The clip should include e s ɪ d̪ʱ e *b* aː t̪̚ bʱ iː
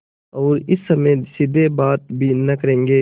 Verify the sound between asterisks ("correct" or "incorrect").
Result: correct